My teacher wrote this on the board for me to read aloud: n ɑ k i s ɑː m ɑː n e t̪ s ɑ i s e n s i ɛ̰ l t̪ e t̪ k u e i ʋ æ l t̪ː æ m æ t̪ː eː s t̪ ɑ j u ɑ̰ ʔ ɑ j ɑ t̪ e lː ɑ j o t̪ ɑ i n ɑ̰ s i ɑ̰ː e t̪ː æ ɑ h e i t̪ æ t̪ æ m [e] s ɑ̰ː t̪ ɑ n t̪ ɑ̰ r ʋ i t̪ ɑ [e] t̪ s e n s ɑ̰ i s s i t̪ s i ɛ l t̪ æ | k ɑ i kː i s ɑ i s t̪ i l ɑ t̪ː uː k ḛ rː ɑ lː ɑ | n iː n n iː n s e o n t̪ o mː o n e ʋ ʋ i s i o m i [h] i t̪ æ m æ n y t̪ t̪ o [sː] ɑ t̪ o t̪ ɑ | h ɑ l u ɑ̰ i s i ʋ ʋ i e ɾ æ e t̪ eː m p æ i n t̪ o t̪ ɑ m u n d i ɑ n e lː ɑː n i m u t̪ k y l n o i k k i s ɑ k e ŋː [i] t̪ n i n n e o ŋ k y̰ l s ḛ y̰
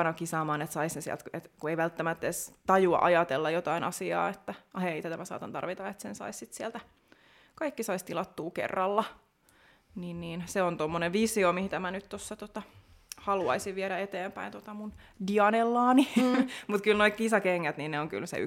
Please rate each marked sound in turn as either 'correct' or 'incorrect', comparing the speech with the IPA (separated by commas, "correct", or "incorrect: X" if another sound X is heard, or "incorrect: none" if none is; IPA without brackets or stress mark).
incorrect: æ, correct, correct, correct, incorrect: æ